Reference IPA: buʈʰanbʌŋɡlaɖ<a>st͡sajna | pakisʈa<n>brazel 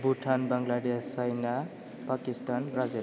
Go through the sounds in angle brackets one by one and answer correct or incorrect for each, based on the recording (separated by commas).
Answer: incorrect, correct